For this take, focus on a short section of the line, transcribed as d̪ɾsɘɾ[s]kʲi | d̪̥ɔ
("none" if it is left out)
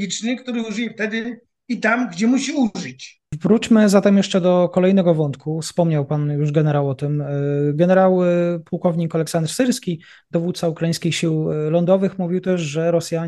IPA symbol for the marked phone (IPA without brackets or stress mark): s